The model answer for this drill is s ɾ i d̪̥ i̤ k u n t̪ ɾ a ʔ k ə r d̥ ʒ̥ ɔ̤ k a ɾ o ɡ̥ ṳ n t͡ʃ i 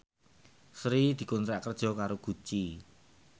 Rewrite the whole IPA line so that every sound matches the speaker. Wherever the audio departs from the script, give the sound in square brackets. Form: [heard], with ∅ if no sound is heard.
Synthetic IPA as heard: s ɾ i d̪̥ i̤ k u n t̪ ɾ a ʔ k ə r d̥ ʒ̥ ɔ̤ k a ɾ o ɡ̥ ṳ [∅] t͡ʃ i